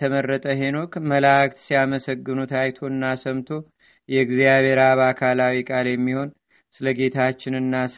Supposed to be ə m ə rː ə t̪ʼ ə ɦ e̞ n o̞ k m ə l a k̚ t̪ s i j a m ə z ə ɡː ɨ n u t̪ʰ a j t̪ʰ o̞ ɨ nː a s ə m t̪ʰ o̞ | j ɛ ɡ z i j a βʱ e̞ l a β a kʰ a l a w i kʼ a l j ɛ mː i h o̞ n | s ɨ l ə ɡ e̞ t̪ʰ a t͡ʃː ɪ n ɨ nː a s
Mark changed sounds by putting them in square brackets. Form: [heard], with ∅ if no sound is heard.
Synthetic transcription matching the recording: ə m ə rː ə t̪ʼ ə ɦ e̞ n o̞ k m ə l a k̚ t̪ s i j a m ə [s] ə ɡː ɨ n u t̪ʰ a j t̪ʰ o̞ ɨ nː a s ə m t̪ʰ o̞ | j ɛ ɡ z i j a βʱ e̞ [ɾ] a β a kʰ a l a w i kʼ a l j ɛ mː i h o̞ n | s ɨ l ə ɡ e̞ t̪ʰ a t͡ʃː ɪ n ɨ nː a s